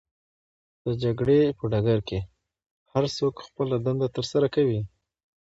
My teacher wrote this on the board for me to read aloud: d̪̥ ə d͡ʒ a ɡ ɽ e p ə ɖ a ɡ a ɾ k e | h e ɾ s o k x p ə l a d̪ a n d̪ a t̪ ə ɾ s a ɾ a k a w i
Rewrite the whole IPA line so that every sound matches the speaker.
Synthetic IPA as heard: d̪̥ ə d͡ʒ a ɡ ɽ e p ə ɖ a ɡ a ɾ k e | h a ɾ s o k x p ə l a d̪ a n d̪ a t̪ ə ɾ s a ɾ a k a w i